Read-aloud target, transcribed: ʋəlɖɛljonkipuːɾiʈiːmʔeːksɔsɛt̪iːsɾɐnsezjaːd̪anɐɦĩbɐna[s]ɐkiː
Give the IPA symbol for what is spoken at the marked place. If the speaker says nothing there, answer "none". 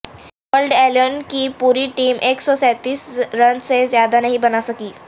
s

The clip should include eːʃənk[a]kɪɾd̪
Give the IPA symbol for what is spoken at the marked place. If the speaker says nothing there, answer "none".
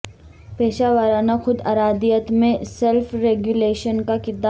a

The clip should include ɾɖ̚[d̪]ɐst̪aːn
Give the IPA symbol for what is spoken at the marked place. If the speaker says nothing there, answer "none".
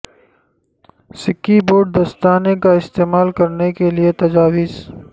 d̪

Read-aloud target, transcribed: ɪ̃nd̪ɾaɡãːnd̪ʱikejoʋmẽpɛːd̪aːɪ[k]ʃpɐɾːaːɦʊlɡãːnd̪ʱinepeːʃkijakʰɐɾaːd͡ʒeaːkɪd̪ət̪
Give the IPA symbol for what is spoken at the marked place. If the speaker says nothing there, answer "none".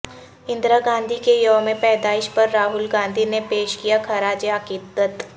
none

